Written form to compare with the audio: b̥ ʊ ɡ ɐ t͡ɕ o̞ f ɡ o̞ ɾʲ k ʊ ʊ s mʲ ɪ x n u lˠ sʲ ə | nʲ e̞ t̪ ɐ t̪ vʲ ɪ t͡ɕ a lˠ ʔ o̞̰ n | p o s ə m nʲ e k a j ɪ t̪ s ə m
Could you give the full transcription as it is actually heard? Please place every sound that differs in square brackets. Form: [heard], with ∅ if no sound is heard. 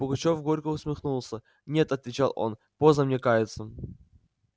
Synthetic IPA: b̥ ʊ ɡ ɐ t͡ɕ o̞ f ɡ o̞ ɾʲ k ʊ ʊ s mʲ ɪ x n u lˠ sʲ ə | nʲ e̞ t̪ ɐ t̪ vʲ ɪ t͡ɕ a lˠ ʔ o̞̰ n | p o [z] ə m nʲ e k a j ɪ t̪ s ə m